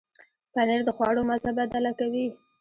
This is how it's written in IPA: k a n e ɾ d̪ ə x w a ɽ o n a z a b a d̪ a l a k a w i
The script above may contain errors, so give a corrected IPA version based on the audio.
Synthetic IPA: p a n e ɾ d̪ ə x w ɑ ɽ o m a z a b a d̪ a l a k a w i